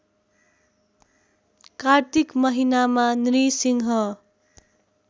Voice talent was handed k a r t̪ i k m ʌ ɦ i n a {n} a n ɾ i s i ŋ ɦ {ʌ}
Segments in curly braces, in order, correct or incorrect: incorrect: m, correct

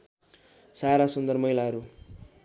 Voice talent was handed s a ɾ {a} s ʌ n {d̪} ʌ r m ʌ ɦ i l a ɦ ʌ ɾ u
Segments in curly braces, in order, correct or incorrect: correct, correct

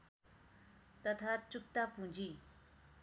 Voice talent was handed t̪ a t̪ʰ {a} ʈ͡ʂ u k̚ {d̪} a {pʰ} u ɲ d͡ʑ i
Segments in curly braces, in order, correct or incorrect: correct, incorrect: t̪, incorrect: p

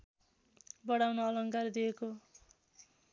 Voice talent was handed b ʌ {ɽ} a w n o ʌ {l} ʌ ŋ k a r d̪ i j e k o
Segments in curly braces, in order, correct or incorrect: correct, correct

